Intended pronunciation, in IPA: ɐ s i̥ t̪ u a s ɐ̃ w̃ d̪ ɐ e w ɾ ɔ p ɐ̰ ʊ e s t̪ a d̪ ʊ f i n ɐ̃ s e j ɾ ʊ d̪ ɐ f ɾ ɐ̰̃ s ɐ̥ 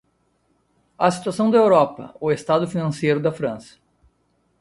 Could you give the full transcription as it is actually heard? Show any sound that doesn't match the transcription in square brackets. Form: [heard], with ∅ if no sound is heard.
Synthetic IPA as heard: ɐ s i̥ t̪ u a s ɐ̃ w̃ d̪ ɐ e w ɾ ɔ p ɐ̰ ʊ e s t̪ a d̪ ʊ f i n ɐ̃ s e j ɾ ʊ d̪ ɐ f ɾ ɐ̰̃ s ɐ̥